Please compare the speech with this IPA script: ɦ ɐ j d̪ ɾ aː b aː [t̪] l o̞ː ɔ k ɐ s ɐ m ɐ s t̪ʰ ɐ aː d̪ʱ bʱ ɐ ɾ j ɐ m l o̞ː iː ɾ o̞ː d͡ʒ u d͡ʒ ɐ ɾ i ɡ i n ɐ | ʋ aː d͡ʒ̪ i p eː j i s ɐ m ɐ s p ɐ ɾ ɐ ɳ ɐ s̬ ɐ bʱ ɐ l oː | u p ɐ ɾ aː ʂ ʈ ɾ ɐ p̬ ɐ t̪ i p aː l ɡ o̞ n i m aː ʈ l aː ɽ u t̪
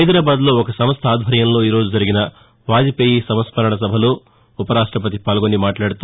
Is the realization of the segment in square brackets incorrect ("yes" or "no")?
yes